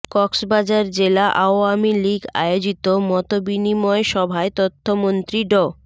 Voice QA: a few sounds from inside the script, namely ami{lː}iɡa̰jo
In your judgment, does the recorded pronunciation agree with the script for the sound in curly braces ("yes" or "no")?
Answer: no